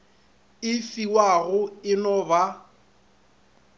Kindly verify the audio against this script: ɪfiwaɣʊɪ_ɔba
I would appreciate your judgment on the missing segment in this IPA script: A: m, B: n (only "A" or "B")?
B